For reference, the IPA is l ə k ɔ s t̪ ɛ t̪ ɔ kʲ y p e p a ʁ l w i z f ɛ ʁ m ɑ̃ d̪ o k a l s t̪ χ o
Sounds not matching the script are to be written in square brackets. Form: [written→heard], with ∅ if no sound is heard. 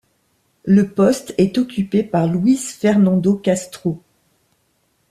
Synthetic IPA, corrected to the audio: l ə [k→p] ɔ s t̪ ɛ t̪ ɔ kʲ y p e p a ʁ l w i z f ɛ ʁ [m→n] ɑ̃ d̪ o k a [l→∅] s t̪ χ o